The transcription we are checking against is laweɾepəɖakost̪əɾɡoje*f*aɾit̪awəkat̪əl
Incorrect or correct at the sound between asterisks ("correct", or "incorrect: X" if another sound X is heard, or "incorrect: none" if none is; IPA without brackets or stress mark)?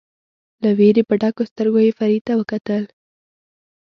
correct